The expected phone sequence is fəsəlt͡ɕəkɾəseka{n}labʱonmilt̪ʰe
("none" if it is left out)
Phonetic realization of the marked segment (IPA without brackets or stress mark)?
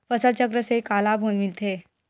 none